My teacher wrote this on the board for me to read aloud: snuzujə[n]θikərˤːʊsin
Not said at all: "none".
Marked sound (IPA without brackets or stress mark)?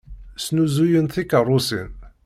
n